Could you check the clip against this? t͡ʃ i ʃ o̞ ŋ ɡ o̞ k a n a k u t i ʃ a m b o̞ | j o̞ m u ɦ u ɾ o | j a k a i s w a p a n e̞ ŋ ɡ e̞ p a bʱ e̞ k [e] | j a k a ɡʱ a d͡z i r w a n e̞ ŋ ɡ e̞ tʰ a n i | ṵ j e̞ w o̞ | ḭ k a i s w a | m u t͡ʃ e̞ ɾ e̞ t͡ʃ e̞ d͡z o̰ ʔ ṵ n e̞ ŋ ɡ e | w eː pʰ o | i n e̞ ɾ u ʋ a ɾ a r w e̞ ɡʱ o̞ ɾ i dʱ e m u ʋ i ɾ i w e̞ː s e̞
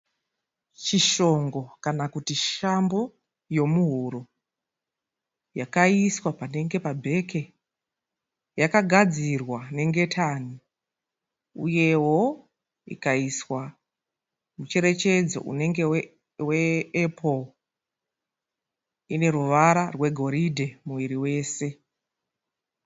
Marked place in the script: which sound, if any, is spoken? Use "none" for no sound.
e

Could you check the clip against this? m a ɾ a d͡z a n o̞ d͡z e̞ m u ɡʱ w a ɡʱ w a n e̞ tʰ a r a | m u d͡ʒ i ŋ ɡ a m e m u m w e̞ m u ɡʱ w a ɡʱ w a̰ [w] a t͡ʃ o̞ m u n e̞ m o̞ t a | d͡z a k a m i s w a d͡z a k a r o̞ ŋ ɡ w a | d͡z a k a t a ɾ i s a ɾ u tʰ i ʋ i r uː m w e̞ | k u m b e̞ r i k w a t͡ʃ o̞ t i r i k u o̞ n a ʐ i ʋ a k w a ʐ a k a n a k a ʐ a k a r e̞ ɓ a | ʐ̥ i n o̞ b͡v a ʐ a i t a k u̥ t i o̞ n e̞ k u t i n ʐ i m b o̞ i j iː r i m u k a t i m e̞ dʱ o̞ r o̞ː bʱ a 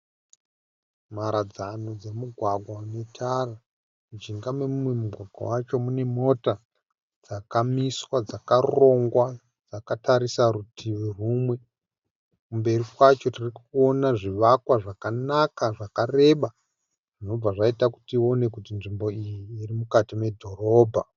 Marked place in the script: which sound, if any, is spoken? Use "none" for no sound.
w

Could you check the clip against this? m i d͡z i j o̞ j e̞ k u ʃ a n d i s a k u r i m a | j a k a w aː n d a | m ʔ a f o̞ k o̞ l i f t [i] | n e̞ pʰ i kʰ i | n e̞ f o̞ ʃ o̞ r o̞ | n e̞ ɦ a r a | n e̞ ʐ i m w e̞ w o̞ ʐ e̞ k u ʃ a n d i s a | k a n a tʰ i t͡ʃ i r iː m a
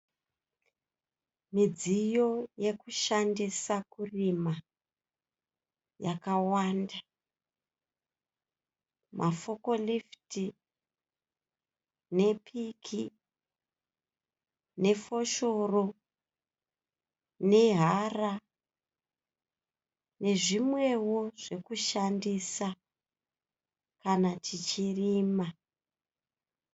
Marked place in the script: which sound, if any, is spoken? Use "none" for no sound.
i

